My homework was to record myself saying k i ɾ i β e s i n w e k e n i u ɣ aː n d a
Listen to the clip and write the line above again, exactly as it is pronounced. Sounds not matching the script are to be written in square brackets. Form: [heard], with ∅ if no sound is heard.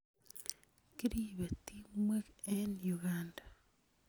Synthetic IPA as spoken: k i ɾ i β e [t] i [m] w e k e n [j] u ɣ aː n d a

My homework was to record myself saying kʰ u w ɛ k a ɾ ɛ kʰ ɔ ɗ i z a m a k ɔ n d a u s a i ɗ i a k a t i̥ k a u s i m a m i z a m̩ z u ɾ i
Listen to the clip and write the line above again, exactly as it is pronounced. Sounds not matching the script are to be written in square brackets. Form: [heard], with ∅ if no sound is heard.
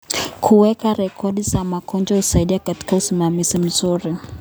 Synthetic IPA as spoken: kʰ u w ɛ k a ɾ ɛ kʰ ɔ ɗ i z a m a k ɔ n [d͡ʒ] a u s a i ɗ i a k a t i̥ k a u s i m a m i z [i] m̩ z u ɾ i

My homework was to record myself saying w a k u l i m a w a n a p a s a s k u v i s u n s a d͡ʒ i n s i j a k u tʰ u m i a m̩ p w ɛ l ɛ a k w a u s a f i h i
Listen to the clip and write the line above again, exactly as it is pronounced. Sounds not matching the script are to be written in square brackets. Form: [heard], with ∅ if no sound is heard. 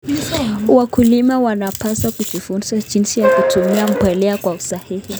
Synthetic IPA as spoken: w a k u l i m a w a n a p a s a [∅] k u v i [f] u n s a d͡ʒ i n s i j a k u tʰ u m i a m̩ p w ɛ l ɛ a k w a u s a [h] i h i

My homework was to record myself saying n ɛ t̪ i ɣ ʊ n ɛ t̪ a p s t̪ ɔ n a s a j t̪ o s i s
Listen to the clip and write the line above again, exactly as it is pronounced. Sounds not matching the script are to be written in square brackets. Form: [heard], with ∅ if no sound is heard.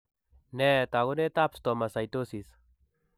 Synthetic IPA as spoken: n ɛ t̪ [a] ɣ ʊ n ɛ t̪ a p s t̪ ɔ [m] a s a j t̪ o s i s

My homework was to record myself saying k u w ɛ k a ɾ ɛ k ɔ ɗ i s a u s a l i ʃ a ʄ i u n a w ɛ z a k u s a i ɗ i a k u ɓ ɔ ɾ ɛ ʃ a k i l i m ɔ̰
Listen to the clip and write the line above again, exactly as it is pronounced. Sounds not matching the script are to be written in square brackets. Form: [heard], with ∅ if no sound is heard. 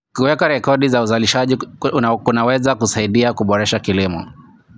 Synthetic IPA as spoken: k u w ɛ k a ɾ ɛ k ɔ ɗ i [z] a u [z] a l i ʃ a ʄ i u n a w ɛ z a k u s a i ɗ i a k u ɓ ɔ ɾ ɛ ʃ a k i l i m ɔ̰

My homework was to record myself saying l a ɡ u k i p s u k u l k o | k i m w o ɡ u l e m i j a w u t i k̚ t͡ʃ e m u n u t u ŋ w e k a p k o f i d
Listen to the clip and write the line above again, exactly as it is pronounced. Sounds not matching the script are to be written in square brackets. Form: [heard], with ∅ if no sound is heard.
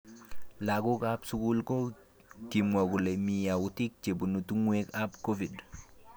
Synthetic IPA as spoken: l a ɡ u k [a] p s u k u l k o | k i m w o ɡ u l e m i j a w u t i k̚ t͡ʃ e [b] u n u t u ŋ w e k a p k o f i d

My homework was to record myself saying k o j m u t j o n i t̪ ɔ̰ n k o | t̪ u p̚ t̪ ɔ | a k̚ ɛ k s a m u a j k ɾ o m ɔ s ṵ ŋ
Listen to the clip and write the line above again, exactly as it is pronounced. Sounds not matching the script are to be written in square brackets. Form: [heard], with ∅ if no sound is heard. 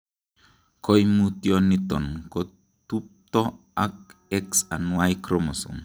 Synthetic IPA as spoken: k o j m u t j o n i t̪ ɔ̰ n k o | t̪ u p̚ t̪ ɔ | a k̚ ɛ k s a [n] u a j k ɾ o m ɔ s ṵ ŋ

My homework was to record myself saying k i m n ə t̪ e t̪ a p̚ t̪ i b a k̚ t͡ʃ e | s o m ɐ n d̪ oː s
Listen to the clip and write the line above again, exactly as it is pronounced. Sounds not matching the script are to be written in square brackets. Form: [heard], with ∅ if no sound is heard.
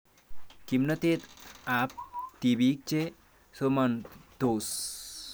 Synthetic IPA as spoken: k i m n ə t̪ e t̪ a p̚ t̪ i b [i] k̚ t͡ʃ e | s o m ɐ n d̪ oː s

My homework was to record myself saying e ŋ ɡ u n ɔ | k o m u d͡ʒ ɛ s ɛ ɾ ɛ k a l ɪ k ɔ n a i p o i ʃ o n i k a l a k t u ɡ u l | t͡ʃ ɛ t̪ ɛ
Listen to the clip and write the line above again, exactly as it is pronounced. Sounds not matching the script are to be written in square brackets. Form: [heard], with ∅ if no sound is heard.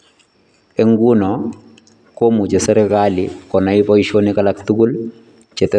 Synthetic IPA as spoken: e ŋ ɡ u n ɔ | k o m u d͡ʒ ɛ s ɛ ɾ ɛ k a l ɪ k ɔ n a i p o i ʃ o n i k a l a k t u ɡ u l | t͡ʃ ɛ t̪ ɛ

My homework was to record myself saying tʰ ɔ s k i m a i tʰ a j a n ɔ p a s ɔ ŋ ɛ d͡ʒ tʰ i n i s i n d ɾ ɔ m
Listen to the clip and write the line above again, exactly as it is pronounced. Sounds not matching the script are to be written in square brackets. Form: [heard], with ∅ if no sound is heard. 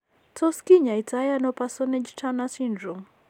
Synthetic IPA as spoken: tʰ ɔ s k i [ɲ] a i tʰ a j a n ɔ p a s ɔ [n] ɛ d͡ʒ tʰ [a] n [a] s i n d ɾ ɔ m

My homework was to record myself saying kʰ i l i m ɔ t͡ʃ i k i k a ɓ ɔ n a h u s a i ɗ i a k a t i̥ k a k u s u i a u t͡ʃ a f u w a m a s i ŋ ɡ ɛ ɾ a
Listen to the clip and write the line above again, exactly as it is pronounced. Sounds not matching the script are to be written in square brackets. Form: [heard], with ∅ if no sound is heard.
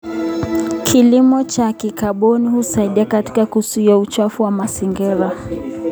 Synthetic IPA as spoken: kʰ i l i m ɔ t͡ʃ [a] k i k a ɓ ɔ n [i] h u s a i ɗ i a k a t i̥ k a k u s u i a u t͡ʃ a f u w a m a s i ŋ ɡ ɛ ɾ a

